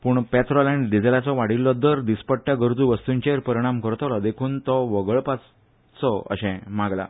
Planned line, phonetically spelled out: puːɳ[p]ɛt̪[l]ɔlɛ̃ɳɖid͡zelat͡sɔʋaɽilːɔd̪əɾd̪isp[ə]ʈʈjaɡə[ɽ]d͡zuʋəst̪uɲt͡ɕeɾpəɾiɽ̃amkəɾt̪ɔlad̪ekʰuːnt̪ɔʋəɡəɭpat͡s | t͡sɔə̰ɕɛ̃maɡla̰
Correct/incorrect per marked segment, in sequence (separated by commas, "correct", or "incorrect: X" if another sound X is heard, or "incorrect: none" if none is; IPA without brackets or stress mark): correct, incorrect: ɾ, correct, incorrect: ɾ